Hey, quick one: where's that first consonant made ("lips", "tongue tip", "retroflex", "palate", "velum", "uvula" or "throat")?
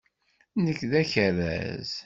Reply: tongue tip